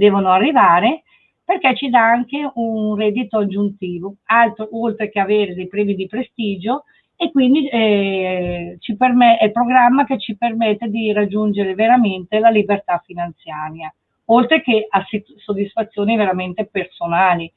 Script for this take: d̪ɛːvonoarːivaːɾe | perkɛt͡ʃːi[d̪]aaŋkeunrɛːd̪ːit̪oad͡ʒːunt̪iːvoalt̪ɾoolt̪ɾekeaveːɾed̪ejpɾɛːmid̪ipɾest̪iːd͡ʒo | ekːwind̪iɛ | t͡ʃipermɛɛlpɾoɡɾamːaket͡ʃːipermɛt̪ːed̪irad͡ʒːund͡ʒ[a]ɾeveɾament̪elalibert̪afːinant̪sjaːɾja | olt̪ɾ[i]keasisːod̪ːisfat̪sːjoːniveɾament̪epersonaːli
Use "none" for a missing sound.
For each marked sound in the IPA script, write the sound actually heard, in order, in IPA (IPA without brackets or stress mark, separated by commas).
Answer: d̪, e, e